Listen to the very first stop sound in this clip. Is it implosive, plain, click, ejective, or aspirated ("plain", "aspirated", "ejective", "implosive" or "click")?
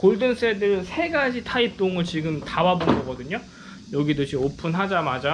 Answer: plain